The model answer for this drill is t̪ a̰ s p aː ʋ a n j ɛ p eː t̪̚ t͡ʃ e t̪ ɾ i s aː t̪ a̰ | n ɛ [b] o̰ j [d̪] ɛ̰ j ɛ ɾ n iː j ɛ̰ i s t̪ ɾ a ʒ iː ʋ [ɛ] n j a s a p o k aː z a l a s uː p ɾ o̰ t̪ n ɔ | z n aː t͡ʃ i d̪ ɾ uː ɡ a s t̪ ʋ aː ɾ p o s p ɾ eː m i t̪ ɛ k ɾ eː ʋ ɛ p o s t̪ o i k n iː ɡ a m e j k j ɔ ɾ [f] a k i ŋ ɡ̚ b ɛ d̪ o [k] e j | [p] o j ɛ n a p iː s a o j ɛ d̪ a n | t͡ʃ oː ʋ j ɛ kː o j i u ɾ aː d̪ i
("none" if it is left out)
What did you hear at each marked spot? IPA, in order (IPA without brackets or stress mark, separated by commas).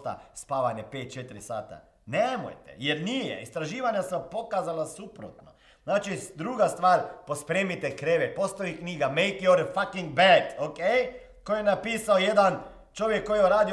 m, t̪, a, f, k, k